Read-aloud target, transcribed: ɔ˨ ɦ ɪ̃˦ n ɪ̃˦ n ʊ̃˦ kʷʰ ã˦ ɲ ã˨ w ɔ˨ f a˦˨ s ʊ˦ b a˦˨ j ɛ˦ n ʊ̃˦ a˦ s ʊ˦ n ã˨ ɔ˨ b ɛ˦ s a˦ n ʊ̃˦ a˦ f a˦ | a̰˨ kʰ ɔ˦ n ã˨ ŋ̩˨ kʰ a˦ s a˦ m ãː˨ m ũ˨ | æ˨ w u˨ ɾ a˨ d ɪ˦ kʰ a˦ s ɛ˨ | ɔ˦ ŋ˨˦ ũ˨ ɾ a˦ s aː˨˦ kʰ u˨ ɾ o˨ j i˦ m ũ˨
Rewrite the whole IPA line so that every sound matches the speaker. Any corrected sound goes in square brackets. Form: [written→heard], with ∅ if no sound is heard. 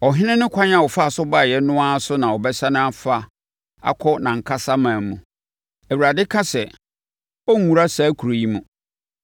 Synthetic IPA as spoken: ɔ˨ ɦ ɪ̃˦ n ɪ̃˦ n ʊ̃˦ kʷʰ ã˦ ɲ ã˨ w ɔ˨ f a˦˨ s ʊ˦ b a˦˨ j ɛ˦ n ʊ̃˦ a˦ s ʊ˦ n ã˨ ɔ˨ b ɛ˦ s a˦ n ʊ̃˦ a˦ f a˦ | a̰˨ kʰ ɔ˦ n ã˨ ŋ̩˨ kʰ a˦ s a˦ m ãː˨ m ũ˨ | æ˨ w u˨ ɾ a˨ d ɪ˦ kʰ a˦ s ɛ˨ | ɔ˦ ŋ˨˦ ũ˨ ɾ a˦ s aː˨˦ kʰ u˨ ɾ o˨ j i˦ m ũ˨